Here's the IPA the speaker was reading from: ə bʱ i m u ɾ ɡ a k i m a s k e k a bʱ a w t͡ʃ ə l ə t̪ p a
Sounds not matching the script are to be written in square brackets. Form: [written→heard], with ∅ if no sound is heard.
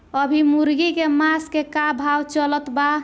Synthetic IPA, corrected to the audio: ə bʱ i m u ɾ ɡ [a→i] k [i→e] m a s k e k a bʱ a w t͡ʃ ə l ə t̪ [p→b] a